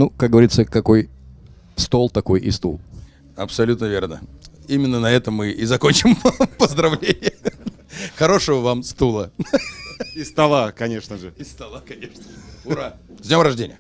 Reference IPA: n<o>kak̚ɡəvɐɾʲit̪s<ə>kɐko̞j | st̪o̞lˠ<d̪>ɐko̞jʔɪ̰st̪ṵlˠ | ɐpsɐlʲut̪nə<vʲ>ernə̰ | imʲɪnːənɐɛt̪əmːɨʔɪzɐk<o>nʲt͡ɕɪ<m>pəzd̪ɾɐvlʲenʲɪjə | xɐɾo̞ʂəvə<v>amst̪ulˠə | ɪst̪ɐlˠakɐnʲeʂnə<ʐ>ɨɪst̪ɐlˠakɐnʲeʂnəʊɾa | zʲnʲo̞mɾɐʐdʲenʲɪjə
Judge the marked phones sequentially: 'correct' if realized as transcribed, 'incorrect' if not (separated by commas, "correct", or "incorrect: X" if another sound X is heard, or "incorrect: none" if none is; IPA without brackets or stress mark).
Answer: incorrect: u, correct, incorrect: t̪, correct, correct, correct, correct, correct